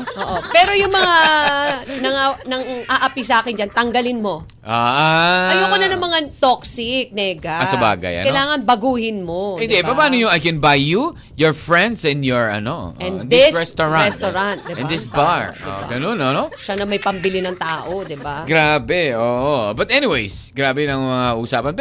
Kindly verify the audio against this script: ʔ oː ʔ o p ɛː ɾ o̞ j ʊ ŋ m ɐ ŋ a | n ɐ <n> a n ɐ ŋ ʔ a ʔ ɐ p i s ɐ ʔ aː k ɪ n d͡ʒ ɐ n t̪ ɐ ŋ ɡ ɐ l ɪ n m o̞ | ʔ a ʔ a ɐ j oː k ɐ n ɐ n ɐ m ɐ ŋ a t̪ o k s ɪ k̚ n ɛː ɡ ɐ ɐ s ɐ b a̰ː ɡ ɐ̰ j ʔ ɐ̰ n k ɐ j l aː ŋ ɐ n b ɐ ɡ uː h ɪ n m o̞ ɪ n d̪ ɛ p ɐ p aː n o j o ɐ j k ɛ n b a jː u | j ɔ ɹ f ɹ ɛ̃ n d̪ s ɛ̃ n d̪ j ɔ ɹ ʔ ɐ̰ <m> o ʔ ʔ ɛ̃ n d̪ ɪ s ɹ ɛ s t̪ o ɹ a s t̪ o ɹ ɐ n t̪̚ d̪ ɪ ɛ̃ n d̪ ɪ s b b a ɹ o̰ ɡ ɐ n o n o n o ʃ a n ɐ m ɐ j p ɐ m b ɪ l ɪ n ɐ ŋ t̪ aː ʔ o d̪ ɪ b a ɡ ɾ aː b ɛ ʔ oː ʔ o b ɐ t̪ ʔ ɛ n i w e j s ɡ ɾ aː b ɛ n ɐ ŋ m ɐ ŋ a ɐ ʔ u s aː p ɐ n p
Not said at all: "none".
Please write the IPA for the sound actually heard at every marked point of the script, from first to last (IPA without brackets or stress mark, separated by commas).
ŋ, n